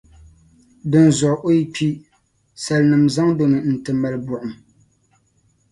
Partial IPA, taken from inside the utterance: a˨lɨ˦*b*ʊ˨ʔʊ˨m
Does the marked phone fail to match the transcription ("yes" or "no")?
no